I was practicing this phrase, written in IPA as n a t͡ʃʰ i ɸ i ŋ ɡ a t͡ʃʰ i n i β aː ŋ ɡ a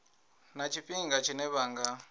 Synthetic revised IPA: n a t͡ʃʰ i ɸ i ŋ ɡ a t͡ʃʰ i n ɛ β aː ŋ ɡ a